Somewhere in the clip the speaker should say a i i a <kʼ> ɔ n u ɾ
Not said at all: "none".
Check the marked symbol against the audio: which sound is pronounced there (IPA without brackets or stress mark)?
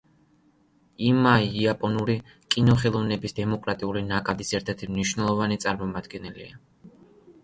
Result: pʼ